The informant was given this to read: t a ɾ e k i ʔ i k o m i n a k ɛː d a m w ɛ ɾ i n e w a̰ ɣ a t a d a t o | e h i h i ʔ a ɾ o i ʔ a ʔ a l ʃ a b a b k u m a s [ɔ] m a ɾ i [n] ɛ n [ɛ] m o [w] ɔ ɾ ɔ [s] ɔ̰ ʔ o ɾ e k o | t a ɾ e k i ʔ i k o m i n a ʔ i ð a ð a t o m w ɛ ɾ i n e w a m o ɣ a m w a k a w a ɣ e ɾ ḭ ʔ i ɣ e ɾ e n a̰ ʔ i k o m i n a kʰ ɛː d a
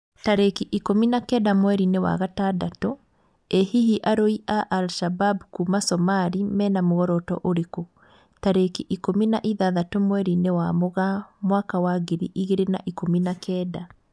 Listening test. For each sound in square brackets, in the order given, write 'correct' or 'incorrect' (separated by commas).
correct, incorrect, incorrect, incorrect, incorrect